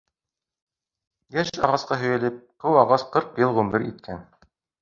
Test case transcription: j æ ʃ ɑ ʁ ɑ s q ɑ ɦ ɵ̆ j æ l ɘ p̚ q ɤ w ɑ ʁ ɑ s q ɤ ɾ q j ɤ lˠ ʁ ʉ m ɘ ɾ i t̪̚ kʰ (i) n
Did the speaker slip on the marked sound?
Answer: yes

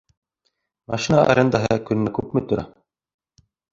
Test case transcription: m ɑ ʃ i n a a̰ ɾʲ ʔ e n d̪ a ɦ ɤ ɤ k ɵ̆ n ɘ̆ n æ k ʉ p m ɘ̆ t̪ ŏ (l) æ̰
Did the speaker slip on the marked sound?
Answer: yes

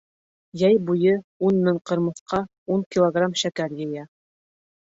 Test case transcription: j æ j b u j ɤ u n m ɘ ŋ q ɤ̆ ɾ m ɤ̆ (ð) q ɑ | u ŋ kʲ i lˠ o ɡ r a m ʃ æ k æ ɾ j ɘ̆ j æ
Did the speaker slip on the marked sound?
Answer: yes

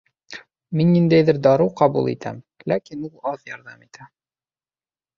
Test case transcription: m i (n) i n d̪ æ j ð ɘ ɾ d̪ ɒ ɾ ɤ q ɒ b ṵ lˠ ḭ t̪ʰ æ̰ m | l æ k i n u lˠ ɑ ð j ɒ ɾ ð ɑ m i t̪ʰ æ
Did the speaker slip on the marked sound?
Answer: yes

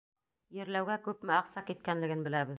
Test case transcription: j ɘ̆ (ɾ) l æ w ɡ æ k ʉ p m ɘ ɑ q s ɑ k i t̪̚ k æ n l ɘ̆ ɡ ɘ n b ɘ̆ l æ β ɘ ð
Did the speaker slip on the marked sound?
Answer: no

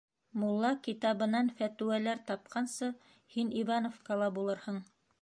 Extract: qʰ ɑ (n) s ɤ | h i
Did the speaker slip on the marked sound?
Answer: no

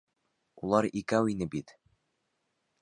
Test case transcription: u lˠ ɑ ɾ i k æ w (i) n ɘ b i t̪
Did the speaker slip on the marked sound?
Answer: no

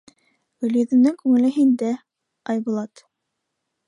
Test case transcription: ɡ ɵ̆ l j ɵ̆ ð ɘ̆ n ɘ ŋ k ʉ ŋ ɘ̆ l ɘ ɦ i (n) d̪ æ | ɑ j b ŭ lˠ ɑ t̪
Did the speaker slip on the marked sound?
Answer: no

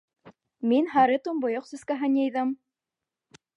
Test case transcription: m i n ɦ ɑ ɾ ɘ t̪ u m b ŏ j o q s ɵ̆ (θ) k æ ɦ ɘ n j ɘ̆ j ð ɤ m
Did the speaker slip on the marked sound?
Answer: yes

